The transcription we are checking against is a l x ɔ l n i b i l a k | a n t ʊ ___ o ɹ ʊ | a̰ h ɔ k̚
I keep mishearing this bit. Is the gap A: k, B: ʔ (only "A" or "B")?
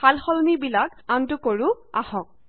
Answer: A